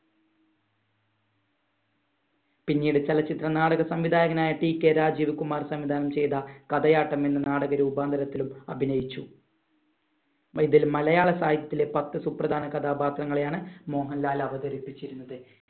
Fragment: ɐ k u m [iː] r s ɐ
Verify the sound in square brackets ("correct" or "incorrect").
incorrect